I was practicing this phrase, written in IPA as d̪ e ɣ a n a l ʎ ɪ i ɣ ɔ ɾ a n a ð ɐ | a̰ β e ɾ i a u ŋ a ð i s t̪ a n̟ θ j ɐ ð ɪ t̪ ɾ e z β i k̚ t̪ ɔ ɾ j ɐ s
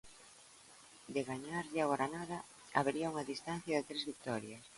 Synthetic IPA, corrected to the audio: d̪ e ɣ a ɲ a ɾ ʎ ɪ a ɣ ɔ ɾ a n a ð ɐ | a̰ β e ɾ i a u ŋ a ð i s t̪ a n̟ θ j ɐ ð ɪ t̪ ɾ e z β i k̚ t̪ ɔ ɾ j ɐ s